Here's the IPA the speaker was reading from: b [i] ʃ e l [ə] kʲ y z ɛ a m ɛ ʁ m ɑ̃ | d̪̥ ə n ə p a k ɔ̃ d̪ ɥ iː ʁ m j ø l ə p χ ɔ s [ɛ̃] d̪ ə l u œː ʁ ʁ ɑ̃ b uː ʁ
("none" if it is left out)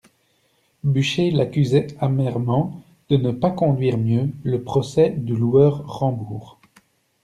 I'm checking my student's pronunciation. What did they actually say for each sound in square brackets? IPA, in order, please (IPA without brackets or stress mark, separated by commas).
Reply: y, a, ɛ